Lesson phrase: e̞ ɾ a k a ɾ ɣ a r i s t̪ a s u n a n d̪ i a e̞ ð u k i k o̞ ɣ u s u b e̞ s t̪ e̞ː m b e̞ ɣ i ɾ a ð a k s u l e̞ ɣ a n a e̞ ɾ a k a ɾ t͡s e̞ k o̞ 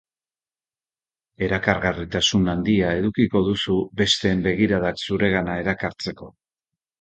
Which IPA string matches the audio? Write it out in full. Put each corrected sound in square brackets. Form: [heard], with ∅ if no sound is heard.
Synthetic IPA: e̞ ɾ a k a ɾ ɣ a r i [∅] t̪ a s u n a n d̪ i a e̞ ð u k i k o̞ [ð] u s u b e̞ s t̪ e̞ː m b e̞ ɣ i ɾ a ð a k s u [ɾ] e̞ ɣ a n a e̞ ɾ a k a ɾ t͡s e̞ k o̞